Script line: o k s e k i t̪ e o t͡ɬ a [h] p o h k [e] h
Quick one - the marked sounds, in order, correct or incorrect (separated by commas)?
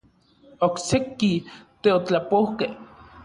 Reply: incorrect, correct